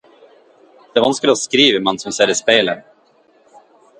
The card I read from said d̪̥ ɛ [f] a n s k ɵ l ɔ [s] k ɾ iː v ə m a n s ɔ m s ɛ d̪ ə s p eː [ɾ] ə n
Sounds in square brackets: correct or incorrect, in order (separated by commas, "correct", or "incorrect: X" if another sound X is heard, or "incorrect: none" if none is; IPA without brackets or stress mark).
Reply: incorrect: v, correct, incorrect: l